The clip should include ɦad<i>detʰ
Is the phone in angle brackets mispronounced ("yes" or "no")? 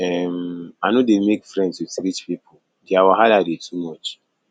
yes